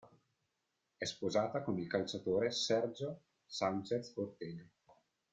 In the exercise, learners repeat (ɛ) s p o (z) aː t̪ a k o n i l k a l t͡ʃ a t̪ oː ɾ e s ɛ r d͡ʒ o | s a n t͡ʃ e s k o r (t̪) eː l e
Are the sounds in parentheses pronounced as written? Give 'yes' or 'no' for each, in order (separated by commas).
yes, yes, yes